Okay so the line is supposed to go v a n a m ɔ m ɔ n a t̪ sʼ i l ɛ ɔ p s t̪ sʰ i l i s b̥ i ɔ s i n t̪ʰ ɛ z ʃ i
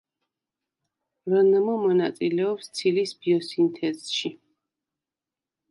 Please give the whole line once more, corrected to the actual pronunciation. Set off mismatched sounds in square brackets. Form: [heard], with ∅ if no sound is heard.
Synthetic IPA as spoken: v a n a m ɔ m ɔ n a t̪ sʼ i l ɛ ɔ p s t̪ sʰ i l i s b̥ i ɔ s i n t̪ʰ ɛ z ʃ i